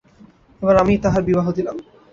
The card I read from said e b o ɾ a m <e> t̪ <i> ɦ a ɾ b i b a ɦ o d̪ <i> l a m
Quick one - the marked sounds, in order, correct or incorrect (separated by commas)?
incorrect, incorrect, correct